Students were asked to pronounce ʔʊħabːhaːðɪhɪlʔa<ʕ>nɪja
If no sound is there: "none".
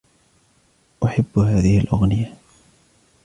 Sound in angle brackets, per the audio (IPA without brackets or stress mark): ɣ